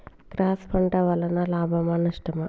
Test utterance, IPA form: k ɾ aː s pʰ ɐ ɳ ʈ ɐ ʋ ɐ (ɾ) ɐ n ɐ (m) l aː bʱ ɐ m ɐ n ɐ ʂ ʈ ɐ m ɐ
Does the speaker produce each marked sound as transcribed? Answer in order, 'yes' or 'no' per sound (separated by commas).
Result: no, no